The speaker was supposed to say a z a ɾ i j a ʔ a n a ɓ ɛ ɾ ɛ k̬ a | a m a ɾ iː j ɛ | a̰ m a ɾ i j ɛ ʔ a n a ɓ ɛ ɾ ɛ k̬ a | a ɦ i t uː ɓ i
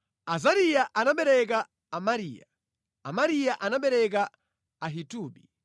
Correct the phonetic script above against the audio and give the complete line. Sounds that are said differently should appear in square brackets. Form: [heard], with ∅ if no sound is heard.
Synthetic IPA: a z a ɾ i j a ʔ a n a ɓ ɛ ɾ ɛ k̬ a | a m a ɾ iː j [a] | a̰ m a ɾ i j [a] ʔ a n a ɓ ɛ ɾ ɛ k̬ a | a ɦ i t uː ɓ i